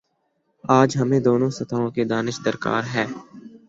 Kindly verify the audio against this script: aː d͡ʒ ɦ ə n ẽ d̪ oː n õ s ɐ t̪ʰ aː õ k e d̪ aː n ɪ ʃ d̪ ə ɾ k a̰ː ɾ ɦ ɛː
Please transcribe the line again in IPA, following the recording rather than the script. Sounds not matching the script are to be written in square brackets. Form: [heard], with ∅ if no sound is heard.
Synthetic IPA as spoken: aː d͡ʒ ɦ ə [m] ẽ d̪ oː n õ s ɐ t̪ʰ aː õ k e d̪ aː n ɪ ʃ d̪ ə ɾ k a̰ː ɾ ɦ ɛː